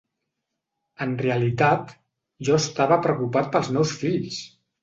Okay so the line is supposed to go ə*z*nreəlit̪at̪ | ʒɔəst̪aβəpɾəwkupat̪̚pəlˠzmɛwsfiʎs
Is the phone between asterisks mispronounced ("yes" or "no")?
yes